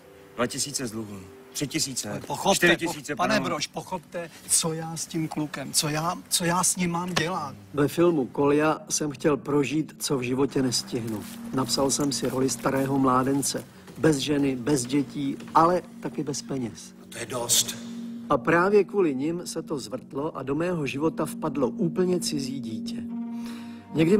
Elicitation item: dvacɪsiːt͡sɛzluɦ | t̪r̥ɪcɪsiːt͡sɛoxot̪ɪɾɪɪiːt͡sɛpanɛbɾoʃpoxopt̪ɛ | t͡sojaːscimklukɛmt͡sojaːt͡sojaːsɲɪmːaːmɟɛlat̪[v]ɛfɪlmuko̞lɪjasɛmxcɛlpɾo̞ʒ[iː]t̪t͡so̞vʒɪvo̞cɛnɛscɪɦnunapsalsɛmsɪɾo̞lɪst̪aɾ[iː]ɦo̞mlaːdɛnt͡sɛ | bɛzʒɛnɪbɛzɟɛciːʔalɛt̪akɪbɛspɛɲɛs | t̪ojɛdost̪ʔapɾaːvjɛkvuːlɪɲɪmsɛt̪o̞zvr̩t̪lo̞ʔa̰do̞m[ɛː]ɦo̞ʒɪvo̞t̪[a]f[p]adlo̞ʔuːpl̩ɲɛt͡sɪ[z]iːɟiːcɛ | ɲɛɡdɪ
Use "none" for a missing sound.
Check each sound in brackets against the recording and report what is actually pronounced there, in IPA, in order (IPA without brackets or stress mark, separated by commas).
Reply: v, iː, ɛː, ɛː, a, p, z